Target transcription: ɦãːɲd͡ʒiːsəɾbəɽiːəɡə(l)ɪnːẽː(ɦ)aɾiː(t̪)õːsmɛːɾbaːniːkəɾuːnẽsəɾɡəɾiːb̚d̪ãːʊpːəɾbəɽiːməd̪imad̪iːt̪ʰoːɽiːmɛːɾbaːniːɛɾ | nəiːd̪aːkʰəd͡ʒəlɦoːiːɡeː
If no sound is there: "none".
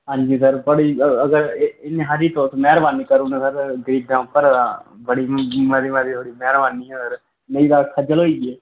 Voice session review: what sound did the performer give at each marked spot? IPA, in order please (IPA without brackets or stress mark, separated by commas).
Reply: ɾ, ɦ, t̪